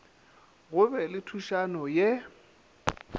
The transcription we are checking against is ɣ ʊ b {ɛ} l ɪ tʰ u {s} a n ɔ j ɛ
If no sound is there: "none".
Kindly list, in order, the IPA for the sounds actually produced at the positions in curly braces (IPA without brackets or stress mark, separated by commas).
ɛ, ʃ